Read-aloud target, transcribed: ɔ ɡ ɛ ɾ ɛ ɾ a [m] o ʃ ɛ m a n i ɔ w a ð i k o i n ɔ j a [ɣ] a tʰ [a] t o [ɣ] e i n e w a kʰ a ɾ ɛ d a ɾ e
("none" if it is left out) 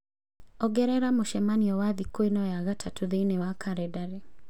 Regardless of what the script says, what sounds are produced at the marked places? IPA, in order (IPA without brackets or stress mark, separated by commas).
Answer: m, ɣ, a, ð